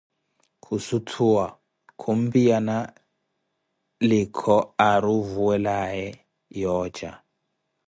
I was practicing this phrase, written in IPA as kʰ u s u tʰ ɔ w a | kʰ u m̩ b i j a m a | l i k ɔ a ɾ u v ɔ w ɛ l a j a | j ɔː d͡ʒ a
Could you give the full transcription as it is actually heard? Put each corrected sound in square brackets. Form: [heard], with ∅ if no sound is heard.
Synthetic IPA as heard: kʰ u s u tʰ [u] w a | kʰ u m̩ b i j a [n] a | l i [kʰ] ɔ a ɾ u v [u] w ɛ l a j [ɛ] | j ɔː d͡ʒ a